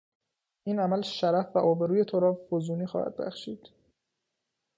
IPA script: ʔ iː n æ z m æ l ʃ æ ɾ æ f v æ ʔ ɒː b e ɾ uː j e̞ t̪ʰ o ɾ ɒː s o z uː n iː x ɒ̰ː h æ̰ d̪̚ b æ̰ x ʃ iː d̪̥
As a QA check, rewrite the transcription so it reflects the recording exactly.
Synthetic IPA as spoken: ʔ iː n æ m æ l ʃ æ ɾ æ f v æ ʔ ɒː b e ɾ uː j e̞ t̪ʰ o ɾ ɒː f o z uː n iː x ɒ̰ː h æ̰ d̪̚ b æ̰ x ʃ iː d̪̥